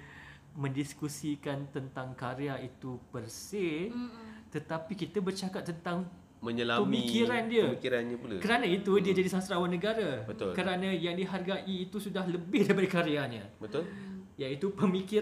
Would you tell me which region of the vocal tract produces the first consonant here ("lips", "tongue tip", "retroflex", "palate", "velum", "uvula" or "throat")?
lips